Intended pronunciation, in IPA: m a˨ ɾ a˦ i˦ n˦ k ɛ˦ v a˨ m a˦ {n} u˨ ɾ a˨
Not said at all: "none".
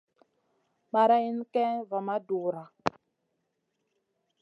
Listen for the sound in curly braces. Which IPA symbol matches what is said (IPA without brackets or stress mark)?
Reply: d